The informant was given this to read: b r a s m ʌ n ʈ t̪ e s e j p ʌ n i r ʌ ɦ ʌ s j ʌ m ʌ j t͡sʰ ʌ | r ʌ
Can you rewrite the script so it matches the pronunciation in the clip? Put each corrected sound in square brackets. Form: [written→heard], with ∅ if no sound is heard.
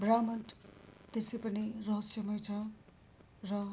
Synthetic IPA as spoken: b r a [s→∅] m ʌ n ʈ t̪ e s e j p ʌ n i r ʌ ɦ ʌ s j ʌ m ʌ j t͡sʰ ʌ | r ʌ